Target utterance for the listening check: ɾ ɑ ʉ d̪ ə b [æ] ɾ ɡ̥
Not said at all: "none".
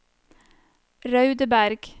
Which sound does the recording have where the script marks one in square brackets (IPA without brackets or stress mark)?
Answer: æ